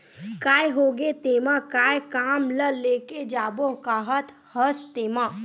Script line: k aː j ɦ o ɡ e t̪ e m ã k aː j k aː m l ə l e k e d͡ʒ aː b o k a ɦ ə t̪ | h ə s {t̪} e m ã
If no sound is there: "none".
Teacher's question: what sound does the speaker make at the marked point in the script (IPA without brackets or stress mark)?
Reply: t̪